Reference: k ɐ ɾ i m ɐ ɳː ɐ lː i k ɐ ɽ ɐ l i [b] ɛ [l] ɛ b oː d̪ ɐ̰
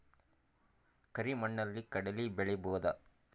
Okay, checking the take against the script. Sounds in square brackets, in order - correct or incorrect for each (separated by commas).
correct, incorrect